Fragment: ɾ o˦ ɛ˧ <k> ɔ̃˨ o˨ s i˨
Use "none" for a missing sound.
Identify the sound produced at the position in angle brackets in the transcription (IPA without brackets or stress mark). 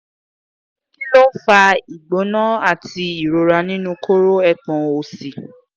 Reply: k͡p